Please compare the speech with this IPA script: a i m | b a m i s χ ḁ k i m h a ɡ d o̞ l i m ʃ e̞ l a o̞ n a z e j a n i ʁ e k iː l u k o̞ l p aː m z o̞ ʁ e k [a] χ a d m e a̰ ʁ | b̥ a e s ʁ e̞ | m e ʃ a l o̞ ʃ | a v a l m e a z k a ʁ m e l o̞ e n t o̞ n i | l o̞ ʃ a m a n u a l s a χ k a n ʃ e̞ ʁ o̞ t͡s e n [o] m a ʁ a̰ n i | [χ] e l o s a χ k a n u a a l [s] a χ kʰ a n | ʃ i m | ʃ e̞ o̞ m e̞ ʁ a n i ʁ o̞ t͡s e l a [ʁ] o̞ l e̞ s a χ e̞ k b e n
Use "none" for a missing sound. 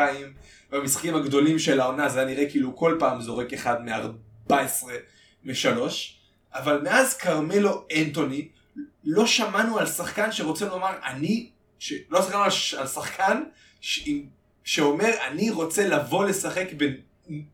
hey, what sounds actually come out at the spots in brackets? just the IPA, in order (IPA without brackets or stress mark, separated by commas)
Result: e, o, ʃ, s, v